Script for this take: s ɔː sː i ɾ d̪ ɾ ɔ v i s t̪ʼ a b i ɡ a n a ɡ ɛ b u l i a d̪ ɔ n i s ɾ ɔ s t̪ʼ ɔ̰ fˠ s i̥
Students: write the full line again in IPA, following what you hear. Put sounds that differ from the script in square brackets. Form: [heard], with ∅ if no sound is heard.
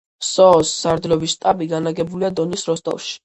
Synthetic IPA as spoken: s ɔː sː [a] ɾ d̪ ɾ ɔ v i s t̪ʼ a b i ɡ a n a ɡ ɛ b u l i a d̪ ɔ n i s ɾ ɔ s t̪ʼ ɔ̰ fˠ [ʃ] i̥